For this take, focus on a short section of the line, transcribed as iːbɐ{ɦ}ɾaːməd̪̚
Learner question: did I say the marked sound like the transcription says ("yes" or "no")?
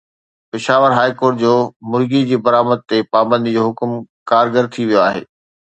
no